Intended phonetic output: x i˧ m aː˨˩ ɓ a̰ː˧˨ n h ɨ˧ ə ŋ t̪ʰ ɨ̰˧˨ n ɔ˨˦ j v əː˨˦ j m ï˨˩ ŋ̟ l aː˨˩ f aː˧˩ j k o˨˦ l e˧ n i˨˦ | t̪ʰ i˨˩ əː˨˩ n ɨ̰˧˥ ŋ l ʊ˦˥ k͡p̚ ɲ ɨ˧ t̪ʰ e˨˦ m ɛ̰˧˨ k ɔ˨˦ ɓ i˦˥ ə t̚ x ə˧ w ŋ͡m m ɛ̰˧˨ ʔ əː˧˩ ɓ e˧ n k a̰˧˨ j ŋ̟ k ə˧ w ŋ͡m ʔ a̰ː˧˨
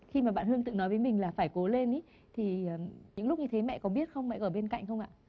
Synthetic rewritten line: x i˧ m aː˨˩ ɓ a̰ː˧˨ n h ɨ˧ ə ŋ t̪ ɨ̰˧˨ n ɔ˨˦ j v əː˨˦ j m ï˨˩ ŋ̟ l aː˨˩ f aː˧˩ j k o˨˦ l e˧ n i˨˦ | t̪ʰ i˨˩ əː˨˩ ɲ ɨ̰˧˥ ŋ l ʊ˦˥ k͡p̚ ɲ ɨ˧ t̪ʰ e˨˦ m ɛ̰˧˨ k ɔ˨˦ ɓ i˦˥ ə t̚ x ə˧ w ŋ͡m m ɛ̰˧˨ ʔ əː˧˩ ɓ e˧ n k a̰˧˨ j ŋ̟ x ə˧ w ŋ͡m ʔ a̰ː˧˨